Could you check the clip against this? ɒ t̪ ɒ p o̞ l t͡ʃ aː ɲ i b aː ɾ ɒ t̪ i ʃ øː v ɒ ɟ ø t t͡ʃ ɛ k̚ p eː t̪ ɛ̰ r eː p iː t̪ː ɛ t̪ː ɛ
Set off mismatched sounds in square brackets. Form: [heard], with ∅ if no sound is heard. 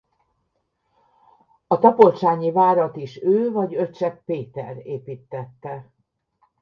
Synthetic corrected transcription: ɒ t̪ ɒ p o̞ l t͡ʃ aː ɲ i [v] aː ɾ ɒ t̪ i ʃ øː v ɒ ɟ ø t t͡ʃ ɛ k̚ p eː t̪ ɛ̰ r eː p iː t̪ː ɛ t̪ː ɛ